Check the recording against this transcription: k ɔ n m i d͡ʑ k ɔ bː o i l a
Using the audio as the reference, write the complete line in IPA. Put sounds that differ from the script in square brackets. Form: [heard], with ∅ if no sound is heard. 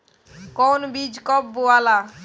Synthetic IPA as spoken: k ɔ n [b] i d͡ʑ k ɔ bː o [a] l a

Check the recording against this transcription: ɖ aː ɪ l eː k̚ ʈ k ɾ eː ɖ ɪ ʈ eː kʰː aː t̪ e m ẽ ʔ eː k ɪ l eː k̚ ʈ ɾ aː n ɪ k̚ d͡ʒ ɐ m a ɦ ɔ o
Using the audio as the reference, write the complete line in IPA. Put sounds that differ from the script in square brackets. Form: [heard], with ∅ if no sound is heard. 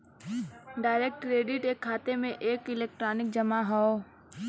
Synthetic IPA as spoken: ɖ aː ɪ [ɾ] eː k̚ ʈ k ɾ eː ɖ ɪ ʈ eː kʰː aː t̪ e m ẽ ʔ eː k ɪ l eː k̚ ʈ ɾ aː n ɪ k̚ d͡ʒ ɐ m a ɦ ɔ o

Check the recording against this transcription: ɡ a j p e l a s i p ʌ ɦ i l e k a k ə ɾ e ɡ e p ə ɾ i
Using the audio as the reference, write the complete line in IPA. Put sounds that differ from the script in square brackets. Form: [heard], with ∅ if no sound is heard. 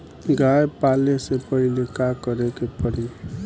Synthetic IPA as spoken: ɡ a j p [a] l [e] s [e] p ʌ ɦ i l e k a k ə ɾ e [k] e p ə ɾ i

